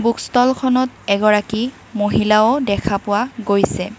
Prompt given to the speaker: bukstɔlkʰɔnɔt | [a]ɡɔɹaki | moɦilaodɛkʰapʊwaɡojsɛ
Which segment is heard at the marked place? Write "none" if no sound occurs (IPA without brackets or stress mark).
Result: ɛ